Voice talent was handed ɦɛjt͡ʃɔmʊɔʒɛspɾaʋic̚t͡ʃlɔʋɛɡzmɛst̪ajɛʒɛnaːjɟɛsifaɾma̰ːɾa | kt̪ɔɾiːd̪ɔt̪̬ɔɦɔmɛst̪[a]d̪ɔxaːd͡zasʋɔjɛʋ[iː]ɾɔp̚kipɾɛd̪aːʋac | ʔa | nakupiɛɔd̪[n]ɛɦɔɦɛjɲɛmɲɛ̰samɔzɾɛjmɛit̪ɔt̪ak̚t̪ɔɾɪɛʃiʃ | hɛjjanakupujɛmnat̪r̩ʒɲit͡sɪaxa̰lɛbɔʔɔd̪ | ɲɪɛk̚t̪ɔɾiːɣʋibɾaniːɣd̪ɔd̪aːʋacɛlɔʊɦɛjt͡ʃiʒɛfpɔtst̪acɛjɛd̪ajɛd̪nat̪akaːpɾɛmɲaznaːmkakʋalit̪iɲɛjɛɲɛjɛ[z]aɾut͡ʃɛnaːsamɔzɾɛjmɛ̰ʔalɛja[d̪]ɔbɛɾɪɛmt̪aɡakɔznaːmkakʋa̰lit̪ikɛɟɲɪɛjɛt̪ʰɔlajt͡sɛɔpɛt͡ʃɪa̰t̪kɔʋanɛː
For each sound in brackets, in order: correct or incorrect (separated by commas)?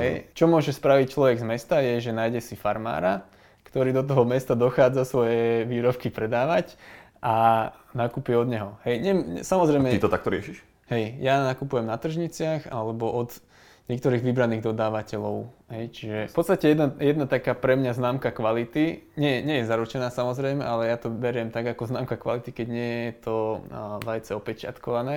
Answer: correct, correct, incorrect, correct, incorrect